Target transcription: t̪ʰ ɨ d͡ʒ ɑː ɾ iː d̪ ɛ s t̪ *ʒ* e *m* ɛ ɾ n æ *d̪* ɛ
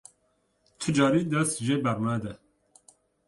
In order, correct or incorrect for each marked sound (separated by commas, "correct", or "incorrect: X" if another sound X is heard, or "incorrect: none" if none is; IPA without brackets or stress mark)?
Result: correct, incorrect: b, correct